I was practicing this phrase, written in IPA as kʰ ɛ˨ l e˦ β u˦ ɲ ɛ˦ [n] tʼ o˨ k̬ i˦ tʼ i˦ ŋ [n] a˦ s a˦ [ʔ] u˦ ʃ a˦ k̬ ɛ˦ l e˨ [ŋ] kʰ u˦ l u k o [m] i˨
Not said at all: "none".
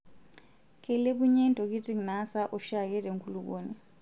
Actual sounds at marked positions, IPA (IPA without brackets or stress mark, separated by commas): n, n, ʔ, ŋ, n